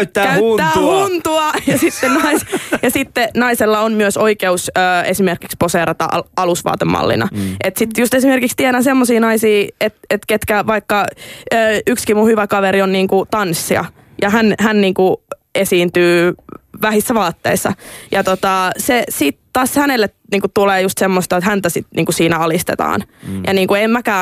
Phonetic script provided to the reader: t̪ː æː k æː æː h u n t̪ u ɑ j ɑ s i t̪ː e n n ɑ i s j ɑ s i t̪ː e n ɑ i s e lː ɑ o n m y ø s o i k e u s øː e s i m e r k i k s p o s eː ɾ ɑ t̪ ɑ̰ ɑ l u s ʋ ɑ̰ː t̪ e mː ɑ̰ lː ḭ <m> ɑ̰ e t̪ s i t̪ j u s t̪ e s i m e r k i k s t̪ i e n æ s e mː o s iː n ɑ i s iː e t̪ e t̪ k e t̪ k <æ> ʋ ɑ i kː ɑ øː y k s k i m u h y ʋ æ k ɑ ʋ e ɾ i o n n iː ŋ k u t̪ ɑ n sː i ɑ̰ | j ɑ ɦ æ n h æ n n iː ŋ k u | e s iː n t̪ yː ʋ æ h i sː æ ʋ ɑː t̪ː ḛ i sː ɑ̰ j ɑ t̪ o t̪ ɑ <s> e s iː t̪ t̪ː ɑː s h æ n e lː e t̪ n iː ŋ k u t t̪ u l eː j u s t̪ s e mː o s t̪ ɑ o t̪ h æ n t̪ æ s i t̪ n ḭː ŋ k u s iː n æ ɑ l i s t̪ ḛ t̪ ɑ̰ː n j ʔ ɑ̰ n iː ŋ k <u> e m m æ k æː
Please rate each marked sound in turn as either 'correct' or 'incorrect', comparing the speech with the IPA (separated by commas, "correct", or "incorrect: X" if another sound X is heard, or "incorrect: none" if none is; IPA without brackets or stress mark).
incorrect: n, correct, correct, correct